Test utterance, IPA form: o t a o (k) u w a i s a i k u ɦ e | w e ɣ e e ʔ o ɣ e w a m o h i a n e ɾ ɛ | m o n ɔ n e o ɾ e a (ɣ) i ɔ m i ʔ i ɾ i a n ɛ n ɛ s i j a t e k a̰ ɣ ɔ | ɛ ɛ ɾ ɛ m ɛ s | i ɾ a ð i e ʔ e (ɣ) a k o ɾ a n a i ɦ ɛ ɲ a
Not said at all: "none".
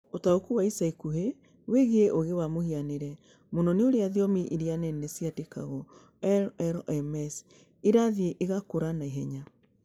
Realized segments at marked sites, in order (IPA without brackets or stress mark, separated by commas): k, ð, ɣ